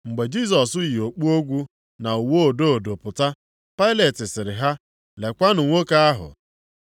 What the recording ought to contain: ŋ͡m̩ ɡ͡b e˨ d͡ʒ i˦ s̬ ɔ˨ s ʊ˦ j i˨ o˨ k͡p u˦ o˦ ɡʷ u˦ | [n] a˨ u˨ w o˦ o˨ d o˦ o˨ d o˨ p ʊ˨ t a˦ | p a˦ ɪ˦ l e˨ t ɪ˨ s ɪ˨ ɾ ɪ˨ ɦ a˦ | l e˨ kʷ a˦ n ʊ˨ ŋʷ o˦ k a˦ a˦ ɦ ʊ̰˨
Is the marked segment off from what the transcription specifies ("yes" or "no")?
no